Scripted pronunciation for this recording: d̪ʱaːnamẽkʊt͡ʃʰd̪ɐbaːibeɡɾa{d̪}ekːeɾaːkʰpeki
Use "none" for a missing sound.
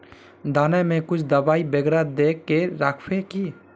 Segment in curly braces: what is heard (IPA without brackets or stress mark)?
d̪